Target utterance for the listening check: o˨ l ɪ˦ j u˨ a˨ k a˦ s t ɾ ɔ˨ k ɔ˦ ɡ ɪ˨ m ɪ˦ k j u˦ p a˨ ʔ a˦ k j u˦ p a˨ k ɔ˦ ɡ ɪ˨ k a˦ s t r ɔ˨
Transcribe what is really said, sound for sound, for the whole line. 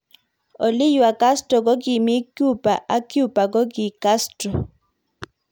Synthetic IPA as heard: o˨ l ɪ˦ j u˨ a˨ k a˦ s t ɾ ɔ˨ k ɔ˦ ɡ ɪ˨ m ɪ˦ k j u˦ p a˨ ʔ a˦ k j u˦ p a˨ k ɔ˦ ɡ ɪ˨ k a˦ s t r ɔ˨